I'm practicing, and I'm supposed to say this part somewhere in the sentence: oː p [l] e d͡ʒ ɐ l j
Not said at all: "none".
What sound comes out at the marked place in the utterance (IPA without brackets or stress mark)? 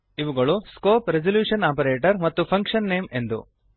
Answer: ɾ